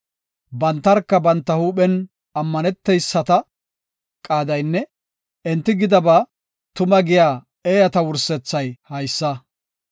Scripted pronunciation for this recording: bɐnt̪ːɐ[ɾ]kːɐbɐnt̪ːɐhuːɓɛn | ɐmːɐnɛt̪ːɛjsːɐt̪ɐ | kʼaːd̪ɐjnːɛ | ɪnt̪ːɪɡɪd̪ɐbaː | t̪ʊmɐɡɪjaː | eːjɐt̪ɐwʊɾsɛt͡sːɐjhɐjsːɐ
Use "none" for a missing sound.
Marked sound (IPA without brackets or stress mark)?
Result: ɾ